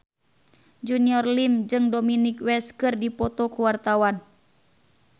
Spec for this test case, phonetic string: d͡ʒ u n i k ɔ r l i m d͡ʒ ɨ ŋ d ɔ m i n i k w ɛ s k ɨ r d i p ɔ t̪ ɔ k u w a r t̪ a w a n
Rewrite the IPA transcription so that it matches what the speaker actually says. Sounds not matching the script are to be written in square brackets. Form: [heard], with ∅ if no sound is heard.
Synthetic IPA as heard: d͡ʒ u n i [∅] ɔ r l i m d͡ʒ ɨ ŋ d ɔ m i n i k w ɛ s k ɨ r d i p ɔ t̪ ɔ k u w a r t̪ a w a n